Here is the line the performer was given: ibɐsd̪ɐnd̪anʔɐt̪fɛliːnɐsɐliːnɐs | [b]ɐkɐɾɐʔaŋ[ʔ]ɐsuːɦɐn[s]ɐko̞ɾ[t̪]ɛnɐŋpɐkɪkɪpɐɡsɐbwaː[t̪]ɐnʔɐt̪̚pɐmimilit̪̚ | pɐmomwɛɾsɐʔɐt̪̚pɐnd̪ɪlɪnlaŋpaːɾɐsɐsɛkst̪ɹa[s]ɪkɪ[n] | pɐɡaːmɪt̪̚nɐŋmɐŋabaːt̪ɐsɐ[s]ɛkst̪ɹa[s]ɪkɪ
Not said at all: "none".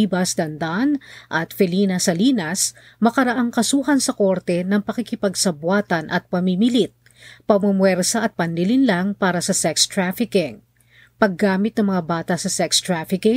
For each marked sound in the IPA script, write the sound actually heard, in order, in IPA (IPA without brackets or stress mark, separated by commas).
m, k, s, t̪, t̪, f, ŋ, s, f